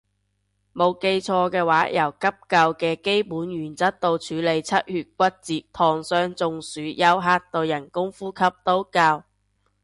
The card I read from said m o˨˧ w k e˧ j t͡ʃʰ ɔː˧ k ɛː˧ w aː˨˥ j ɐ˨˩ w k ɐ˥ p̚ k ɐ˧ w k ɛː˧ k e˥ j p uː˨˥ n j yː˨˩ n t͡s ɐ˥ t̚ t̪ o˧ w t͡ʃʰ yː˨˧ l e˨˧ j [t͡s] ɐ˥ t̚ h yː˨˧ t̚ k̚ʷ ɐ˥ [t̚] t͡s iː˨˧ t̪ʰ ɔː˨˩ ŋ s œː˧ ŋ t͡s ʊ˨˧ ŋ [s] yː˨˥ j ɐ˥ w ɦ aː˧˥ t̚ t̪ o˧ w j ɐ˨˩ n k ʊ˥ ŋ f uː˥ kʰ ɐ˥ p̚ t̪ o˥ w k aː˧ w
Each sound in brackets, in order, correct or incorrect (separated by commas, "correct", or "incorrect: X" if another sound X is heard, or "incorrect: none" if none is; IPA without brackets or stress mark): incorrect: t͡sʰ, correct, correct